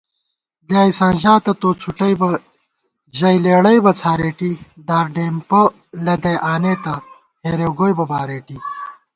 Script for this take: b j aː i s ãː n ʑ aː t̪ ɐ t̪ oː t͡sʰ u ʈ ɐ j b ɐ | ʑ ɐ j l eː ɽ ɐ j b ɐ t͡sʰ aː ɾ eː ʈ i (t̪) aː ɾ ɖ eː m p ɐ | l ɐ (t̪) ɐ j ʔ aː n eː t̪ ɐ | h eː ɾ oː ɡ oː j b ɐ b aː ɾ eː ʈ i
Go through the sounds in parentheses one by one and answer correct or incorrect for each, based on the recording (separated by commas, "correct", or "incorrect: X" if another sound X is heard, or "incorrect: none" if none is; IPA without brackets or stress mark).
incorrect: d̪, incorrect: d̪